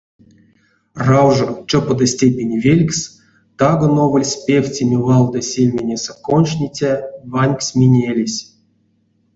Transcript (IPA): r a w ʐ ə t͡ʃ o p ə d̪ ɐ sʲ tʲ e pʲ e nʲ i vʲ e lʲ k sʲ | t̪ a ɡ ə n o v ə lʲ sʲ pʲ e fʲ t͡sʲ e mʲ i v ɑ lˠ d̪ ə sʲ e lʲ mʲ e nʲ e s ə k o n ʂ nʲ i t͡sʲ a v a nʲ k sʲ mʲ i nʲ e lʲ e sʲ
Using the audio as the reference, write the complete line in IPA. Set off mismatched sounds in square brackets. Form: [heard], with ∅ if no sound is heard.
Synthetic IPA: r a w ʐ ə t͡ʃ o p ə d̪ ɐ sʲ tʲ e pʲ e nʲ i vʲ e lʲ k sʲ | t̪ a ɡ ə n o v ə lʲ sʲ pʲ e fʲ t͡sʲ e mʲ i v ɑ lˠ d̪ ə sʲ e lʲ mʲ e nʲ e s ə k o n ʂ nʲ i t͡sʲ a v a nʲ k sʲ mʲ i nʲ e lʲ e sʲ